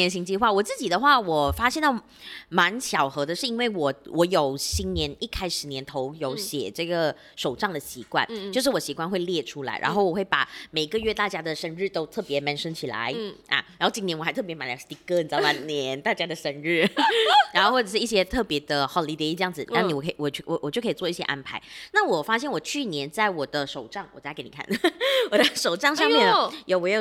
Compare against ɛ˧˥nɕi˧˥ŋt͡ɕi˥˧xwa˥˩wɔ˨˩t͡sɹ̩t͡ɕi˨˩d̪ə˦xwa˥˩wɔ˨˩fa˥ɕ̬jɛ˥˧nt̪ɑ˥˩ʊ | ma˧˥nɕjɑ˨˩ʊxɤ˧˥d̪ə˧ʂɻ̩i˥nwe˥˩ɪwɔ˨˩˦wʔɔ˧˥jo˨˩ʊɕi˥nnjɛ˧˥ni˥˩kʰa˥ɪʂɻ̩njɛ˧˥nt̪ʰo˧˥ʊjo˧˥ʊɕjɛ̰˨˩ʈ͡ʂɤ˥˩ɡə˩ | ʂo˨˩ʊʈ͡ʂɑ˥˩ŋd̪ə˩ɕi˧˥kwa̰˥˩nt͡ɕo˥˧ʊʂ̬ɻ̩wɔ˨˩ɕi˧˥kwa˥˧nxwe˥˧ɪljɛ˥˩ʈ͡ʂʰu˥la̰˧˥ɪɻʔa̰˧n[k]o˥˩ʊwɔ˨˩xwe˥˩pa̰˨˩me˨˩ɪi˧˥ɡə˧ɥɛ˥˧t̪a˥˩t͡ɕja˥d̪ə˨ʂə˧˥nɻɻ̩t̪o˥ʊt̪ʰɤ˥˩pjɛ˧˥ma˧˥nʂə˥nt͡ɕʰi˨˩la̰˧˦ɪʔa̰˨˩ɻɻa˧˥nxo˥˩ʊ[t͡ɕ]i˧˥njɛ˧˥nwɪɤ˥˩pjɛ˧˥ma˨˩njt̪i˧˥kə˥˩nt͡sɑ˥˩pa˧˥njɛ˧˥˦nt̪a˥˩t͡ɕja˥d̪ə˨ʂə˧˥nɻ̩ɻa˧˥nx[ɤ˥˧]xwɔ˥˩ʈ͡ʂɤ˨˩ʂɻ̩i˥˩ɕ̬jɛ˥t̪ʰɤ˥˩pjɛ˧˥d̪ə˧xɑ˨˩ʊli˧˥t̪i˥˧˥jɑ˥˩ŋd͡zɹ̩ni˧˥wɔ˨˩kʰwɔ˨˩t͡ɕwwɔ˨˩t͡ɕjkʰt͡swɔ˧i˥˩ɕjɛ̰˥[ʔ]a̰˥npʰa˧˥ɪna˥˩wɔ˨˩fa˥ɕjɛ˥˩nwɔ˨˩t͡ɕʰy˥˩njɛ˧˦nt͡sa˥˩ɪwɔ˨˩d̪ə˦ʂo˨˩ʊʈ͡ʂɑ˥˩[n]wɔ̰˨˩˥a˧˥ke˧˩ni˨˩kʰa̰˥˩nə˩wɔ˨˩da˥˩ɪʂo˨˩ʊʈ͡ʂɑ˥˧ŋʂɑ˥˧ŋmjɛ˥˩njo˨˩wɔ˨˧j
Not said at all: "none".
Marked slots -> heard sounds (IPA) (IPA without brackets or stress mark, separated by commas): x, t͡ɕ, o˥˧, ʔ, ŋ